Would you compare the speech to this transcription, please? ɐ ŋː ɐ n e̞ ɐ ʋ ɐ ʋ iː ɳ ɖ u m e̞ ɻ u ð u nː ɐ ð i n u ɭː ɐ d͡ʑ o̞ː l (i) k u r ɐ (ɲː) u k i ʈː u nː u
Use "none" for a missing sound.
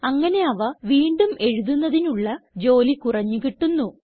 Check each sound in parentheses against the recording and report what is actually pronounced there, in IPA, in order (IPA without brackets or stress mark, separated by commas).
i, ɲː